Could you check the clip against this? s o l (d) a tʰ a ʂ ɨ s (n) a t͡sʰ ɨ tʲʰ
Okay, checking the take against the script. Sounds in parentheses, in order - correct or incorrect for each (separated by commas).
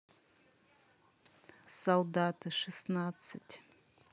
correct, correct